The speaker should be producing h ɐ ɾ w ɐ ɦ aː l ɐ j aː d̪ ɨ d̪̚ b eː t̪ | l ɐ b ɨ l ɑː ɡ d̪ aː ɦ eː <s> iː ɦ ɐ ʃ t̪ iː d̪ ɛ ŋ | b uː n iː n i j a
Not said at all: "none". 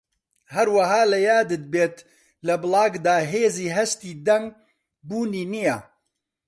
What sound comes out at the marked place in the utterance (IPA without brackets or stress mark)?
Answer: z